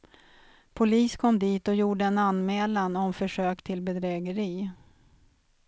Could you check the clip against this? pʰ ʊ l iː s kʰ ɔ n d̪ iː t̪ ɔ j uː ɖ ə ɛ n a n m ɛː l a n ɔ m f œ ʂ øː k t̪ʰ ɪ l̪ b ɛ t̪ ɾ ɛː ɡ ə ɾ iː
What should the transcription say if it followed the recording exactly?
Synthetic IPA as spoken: pʰ ʊ l iː s kʰ ɔ m d̪ iː t̪ ɔ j uː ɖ ə ɛ n a n m ɛː l a n ɔ m f œ ʂ øː k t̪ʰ ɪ l̪ b ɛ d̪ ɾ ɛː ɡ ə ɾ iː